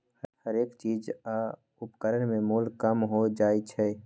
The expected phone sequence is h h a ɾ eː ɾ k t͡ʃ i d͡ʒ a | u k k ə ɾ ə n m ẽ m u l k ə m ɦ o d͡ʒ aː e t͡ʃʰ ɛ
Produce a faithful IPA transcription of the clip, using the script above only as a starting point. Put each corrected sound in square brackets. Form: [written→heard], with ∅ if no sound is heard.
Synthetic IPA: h h [a→ə] ɾ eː [ɾ→∅] k t͡ʃ i d͡ʒ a | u [k→p] k ə ɾ ə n m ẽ m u l k ə m ɦ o d͡ʒ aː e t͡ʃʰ ɛ